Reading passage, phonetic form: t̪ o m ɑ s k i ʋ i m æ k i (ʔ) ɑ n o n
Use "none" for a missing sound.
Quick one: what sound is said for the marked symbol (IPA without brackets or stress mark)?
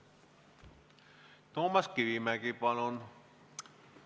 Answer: p